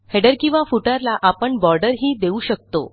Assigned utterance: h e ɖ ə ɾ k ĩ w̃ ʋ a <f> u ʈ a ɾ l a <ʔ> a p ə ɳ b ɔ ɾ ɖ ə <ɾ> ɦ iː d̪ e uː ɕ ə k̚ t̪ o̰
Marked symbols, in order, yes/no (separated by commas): yes, yes, yes